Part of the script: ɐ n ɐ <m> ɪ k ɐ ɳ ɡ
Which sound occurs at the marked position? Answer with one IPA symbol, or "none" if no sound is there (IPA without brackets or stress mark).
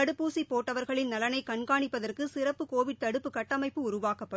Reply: none